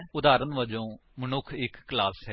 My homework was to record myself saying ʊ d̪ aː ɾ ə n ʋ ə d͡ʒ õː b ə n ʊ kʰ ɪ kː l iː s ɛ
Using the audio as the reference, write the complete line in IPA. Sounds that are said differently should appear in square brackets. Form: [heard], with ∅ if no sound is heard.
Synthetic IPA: ʊ d̪ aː ɾ ə n ʋ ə d͡ʒ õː [m] ə n ʊ kʰ ɪ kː l [aː] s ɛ